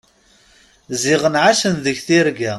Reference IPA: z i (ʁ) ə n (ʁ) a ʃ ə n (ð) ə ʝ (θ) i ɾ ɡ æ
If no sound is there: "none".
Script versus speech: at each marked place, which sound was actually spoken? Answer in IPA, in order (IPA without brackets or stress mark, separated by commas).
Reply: ʁ, ʕ, ð, θ